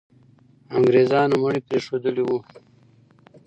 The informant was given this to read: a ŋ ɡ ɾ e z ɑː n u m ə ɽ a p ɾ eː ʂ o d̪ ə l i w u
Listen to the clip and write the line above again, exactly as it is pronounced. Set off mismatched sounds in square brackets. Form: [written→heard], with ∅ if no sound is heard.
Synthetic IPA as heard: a ŋ ɡ ɾ e z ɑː n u m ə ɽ [a→i] p ɾ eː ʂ o d̪ ə l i w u